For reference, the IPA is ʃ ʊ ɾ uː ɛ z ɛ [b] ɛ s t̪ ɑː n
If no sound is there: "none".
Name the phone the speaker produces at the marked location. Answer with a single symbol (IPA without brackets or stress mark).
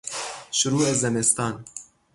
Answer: m